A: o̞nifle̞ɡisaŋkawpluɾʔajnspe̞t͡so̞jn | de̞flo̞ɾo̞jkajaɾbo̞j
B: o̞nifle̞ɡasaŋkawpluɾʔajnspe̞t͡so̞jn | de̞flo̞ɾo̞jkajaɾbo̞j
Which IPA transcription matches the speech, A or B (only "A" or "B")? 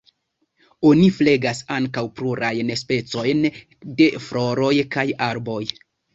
B